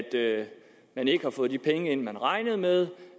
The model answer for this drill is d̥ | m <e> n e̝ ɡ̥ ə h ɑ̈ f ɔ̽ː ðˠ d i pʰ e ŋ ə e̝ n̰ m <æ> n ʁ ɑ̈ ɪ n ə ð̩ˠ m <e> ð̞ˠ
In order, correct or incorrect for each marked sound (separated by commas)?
incorrect, correct, correct